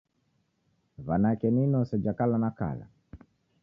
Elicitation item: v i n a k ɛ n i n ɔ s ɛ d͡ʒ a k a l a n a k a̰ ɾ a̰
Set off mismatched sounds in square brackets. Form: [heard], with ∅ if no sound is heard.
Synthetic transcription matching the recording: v [a] n a k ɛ n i n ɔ s ɛ d͡ʒ a k a l a n a k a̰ [l] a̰

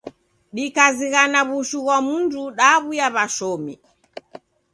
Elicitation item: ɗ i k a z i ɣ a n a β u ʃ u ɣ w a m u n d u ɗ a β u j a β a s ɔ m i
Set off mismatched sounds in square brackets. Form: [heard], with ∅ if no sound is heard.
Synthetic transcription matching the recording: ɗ i k a z i ɣ a n a β u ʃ u ɣ w a m u n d u ɗ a β u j a β a [ʃ] ɔ m i

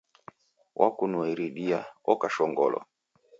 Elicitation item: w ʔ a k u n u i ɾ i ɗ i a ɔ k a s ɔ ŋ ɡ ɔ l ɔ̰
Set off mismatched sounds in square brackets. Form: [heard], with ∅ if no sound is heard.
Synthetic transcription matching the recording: w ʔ a k u n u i ɾ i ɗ i a ɔ k a [ʃ] ɔ ŋ ɡ ɔ l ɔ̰

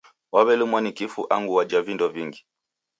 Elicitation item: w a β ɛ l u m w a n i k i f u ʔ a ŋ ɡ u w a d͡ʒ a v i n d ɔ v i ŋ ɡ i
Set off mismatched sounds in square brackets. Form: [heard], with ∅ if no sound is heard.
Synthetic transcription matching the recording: w a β ɛ l u m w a n i k i f u ʔ a ŋ ɡ u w a d͡ʒ a v i n d ɔ v i ŋ ɡ i

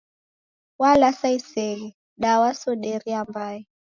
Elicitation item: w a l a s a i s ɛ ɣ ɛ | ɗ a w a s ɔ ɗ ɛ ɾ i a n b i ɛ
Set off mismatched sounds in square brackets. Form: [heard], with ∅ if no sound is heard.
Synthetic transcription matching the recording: w a l a s a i s ɛ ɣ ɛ | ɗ a w a s ɔ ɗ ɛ ɾ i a [m] b [a] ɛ

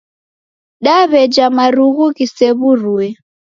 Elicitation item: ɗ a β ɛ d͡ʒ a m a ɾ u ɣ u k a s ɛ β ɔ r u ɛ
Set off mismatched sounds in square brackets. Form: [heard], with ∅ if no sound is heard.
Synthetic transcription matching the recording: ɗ a β ɛ d͡ʒ a m a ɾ u ɣ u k [i] s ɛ β [u] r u ɛ

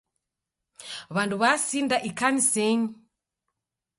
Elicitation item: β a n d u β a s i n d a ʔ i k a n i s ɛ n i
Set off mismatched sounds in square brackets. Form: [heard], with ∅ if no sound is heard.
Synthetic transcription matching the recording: β a n d u β a s i n d a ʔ i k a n i s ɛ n i

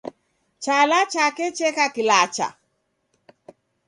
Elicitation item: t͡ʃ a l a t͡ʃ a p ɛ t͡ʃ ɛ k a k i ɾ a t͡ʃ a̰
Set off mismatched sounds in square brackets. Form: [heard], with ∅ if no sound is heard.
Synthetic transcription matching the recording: t͡ʃ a l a t͡ʃ a [k] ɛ t͡ʃ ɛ k a k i [l] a t͡ʃ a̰

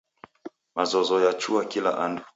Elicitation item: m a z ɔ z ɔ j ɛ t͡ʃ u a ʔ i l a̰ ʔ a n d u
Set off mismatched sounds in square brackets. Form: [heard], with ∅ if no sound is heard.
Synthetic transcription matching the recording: m a z ɔ z ɔ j [a] t͡ʃ u a [k] i l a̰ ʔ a n d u

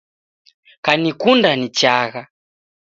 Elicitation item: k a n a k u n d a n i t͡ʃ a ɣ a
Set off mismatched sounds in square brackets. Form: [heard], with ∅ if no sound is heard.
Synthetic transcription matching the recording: k a n [i] k u n d a n i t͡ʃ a ɣ a

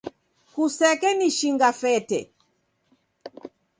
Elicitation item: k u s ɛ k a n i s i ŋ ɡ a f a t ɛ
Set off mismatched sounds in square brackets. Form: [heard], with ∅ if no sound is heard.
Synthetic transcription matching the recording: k u s ɛ k [ɛ] n i [ʃ] i ŋ ɡ a f [ɛ] t ɛ

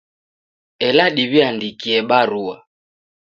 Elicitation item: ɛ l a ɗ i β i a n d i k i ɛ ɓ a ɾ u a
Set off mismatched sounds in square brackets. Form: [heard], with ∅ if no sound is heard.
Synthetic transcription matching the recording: ɛ l a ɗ i β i a n d i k i ɛ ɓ a ɾ u a

